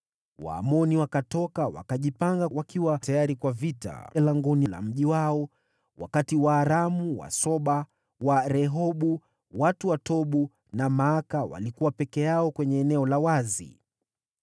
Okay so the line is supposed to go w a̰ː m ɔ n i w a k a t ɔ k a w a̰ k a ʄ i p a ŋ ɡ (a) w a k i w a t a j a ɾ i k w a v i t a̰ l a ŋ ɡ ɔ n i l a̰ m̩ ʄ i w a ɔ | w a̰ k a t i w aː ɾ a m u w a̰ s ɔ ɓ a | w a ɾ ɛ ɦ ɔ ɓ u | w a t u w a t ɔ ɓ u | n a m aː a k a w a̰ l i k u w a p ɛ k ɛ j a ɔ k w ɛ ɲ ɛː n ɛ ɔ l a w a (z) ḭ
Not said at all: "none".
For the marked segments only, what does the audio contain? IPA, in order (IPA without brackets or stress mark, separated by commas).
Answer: a, z